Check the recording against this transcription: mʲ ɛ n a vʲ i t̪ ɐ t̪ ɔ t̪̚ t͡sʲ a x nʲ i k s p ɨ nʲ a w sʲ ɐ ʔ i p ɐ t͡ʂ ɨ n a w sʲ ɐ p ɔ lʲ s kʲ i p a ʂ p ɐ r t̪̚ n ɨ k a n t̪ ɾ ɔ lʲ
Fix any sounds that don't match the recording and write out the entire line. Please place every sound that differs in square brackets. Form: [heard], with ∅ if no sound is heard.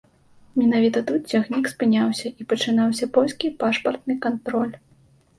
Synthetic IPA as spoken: mʲ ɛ n a vʲ i t̪ ɐ t̪ [u] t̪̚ t͡sʲ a x nʲ i k s p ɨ nʲ a w sʲ ɐ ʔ i p ɐ t͡ʂ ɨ n a w sʲ ɐ p ɔ lʲ s kʲ i p a ʂ p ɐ r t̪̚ n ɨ k a n t̪ ɾ ɔ lʲ